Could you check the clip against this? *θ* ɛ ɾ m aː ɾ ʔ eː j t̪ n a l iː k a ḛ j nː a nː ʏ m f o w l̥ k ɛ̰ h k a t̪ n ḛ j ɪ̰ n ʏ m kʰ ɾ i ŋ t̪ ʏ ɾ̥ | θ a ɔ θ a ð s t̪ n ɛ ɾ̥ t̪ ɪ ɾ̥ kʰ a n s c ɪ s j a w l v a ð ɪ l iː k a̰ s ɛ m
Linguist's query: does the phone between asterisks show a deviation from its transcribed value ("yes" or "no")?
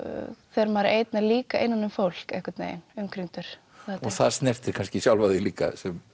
no